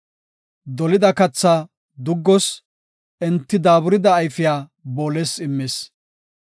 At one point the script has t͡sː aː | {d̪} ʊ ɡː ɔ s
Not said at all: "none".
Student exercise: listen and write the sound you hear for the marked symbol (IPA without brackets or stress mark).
d̪